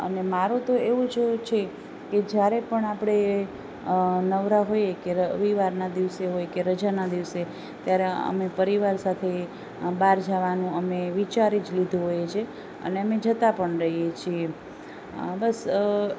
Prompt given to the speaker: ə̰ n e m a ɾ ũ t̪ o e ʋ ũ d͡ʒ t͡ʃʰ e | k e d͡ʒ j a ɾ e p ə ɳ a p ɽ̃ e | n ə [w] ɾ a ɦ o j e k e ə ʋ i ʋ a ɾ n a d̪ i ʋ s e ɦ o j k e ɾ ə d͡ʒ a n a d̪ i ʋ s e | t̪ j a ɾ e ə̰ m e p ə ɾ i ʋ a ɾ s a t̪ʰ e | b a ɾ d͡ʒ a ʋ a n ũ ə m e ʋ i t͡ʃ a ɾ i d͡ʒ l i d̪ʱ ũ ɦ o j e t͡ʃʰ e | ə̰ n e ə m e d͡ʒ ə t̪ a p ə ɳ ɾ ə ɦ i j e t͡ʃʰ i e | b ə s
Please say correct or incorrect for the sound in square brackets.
incorrect: ʋ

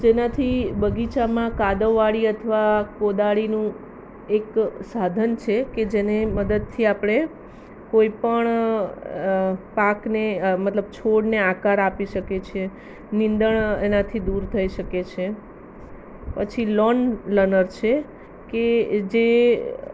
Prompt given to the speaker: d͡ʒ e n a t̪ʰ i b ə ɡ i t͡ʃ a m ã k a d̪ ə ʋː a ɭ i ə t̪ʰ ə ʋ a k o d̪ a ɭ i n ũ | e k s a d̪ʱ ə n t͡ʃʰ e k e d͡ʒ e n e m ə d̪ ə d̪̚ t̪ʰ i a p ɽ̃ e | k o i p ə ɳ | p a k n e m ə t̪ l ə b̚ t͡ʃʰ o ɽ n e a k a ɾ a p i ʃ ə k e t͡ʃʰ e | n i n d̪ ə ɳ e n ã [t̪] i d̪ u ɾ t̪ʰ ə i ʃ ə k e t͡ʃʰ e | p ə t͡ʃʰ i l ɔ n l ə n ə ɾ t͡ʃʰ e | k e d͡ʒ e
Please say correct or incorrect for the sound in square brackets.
incorrect: t̪ʰ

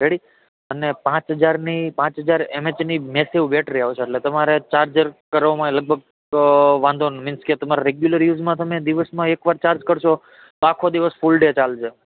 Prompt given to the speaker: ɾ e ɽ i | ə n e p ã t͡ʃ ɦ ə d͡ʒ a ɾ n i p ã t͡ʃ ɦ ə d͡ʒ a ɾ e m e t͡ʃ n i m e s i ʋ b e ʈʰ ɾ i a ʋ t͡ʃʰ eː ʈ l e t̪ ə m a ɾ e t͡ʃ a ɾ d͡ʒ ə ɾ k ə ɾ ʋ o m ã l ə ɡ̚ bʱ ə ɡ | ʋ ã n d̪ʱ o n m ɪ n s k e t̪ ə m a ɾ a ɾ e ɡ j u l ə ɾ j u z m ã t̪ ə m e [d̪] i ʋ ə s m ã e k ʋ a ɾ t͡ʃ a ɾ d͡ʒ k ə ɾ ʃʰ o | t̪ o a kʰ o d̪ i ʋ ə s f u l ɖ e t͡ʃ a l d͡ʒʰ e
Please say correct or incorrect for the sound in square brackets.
correct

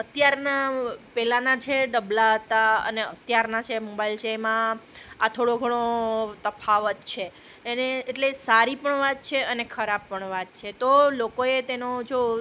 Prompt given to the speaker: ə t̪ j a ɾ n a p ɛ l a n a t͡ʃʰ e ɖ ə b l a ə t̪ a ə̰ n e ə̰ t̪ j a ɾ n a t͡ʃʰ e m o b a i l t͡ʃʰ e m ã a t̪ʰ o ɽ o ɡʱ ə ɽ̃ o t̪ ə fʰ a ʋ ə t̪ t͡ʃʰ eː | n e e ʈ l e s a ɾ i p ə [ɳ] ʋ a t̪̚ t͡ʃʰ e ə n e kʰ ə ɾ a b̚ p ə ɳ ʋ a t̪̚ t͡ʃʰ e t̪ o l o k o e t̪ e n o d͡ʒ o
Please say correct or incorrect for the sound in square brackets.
correct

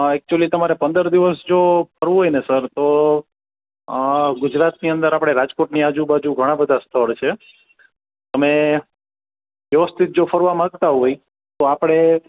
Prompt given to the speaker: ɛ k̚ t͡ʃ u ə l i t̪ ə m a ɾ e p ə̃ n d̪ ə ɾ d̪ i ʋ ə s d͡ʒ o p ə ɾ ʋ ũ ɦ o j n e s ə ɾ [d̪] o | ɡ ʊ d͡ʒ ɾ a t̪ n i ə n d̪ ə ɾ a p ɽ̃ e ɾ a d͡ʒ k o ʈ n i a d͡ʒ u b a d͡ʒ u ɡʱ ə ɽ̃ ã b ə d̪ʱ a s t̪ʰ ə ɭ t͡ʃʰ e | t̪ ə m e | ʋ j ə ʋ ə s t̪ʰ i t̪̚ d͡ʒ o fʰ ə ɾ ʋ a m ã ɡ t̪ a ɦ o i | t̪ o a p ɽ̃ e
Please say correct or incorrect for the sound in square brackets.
incorrect: t̪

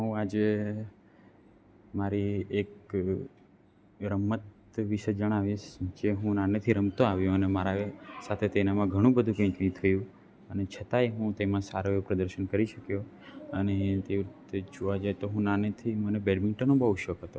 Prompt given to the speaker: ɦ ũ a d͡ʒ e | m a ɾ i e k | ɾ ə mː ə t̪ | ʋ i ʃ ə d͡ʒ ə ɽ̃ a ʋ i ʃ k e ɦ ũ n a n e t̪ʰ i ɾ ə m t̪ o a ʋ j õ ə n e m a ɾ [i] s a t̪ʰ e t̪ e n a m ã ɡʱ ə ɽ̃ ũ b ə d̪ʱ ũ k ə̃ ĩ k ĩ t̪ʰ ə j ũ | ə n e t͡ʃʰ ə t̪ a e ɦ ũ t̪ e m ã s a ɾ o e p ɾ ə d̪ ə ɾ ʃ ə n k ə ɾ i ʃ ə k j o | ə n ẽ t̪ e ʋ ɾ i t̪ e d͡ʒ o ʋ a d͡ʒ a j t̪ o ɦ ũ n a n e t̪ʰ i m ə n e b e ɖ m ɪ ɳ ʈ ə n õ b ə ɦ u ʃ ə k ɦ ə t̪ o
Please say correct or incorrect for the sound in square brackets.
incorrect: a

